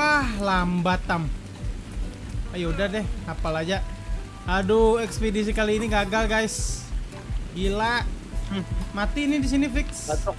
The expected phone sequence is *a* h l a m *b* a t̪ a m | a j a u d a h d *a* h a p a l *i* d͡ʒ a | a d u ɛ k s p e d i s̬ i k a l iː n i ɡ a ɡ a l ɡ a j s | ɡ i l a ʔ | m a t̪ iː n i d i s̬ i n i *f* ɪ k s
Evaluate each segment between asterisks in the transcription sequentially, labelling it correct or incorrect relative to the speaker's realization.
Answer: correct, correct, incorrect, incorrect, correct

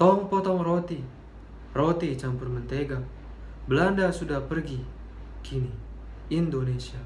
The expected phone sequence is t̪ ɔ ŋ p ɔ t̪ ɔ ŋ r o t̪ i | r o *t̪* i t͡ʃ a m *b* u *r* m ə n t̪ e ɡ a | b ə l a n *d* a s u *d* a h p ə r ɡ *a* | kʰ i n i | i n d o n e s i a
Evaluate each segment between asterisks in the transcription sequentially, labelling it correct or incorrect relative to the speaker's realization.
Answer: correct, incorrect, correct, correct, correct, incorrect

